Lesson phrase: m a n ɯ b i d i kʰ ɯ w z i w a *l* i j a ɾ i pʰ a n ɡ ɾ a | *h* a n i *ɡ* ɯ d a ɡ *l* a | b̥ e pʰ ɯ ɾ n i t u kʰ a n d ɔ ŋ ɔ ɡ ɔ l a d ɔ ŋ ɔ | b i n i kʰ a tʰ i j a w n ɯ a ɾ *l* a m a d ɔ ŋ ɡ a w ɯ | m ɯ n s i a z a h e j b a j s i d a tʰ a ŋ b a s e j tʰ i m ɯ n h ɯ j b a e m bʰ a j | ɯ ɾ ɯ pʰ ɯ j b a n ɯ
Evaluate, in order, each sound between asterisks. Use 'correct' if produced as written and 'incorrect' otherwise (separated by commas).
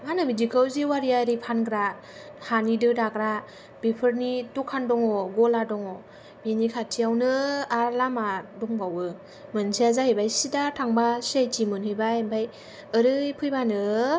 incorrect, correct, incorrect, incorrect, correct